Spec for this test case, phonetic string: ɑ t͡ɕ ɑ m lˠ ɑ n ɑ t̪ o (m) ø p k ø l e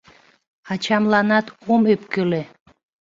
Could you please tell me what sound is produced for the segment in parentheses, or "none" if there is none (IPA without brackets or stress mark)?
m